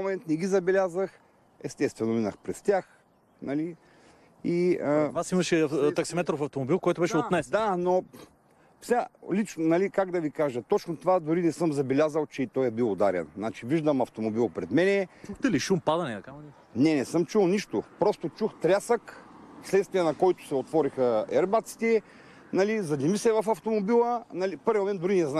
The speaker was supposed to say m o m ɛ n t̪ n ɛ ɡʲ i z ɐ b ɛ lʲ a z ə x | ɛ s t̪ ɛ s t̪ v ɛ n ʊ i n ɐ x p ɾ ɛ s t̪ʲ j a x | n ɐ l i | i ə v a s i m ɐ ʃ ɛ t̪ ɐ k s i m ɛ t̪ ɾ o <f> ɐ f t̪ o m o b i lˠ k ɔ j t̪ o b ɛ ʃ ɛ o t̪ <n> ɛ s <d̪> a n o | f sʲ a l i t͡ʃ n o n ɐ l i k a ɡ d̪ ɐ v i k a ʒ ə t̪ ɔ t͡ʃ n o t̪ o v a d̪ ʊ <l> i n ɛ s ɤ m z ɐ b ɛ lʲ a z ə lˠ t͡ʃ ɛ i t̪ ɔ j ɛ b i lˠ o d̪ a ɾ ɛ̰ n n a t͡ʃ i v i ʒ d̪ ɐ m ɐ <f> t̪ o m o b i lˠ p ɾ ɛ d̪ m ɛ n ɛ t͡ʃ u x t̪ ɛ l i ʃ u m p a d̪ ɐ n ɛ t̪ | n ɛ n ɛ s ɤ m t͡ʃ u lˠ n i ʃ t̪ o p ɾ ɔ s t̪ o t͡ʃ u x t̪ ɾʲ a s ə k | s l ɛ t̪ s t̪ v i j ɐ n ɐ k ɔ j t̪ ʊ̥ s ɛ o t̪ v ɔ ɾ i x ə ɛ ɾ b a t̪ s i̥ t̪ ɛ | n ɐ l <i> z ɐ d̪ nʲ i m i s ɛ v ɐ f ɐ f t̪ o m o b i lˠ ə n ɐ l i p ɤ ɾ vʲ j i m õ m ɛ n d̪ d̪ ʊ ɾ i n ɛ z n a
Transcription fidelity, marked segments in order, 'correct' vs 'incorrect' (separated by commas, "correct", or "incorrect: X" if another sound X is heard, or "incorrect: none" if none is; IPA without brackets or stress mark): correct, correct, correct, incorrect: ɾ, correct, correct